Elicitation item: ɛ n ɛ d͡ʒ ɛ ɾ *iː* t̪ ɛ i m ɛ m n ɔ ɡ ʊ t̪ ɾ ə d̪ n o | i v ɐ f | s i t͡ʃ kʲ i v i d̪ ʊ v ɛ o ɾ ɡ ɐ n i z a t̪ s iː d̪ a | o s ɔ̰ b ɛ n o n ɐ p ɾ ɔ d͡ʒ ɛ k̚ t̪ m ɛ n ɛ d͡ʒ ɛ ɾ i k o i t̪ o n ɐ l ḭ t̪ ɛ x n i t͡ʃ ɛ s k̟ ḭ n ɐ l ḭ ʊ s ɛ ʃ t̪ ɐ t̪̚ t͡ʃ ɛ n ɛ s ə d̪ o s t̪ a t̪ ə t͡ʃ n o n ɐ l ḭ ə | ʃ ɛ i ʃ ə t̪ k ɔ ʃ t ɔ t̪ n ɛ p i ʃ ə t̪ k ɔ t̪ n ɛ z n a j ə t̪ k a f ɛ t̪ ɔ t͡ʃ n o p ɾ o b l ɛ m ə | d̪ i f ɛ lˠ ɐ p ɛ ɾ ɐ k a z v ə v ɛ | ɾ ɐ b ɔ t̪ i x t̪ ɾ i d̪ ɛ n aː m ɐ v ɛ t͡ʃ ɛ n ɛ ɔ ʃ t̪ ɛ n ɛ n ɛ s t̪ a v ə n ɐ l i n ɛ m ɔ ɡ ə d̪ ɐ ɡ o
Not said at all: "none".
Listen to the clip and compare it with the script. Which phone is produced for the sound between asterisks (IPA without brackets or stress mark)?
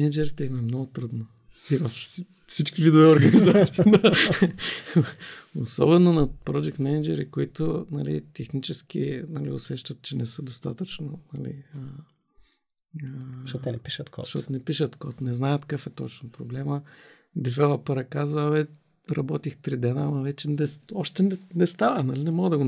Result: i